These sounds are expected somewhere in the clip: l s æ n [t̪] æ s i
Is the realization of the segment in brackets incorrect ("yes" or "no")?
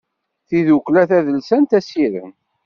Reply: no